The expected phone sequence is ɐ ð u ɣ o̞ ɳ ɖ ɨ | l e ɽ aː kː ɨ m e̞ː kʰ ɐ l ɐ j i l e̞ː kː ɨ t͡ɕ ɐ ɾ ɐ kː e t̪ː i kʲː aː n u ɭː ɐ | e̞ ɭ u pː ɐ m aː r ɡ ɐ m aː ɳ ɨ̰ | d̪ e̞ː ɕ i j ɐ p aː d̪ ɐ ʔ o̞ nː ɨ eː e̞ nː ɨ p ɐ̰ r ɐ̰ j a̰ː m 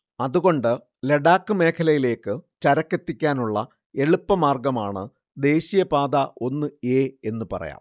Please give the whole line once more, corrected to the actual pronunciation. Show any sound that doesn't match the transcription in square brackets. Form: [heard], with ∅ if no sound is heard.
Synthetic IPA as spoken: ɐ ð u ɣ o̞ ɳ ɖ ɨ | l e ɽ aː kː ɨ m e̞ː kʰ ɐ l ɐ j i l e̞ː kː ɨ t͡ɕ ɐ ɾ ɐ kː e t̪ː i kʲː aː n u ɭː ɐ | e̞ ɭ u pː ɐ m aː r ɡ ɐ m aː ɳ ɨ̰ | d̪ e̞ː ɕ i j ɐ p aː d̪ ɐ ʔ o̞ nː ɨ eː e̞ nː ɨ p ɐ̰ r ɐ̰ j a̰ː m